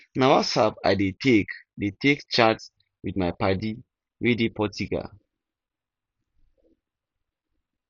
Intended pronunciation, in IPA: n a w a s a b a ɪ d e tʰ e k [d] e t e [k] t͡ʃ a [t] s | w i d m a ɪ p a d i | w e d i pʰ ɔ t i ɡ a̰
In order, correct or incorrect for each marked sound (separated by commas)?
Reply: correct, correct, correct